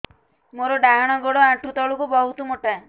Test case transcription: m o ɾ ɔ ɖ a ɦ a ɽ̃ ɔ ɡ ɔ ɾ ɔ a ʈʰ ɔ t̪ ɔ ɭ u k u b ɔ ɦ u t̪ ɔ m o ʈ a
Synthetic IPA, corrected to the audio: m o ɾ ɔ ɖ a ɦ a ɽ̃ ɔ ɡ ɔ ɽ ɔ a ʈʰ u t̪ ɔ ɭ u k u b ɔ ɦ u t̪ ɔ m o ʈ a